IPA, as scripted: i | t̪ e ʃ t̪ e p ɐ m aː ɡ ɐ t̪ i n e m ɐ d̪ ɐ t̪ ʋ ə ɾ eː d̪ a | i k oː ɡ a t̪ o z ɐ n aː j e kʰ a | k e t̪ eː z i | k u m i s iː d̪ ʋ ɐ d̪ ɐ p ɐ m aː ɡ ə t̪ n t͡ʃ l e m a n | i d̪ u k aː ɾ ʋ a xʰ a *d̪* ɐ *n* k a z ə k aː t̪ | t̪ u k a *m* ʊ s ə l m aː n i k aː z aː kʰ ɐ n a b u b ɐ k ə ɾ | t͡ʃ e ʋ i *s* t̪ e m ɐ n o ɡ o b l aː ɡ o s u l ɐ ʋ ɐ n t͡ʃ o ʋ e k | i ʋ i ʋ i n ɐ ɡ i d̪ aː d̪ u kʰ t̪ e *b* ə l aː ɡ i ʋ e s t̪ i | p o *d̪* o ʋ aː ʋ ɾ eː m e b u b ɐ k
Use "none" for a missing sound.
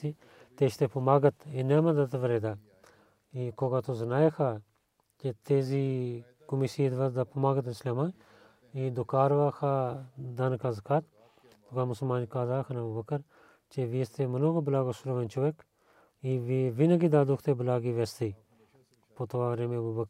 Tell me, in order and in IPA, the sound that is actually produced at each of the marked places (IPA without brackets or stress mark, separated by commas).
d̪, n, m, s, b, t̪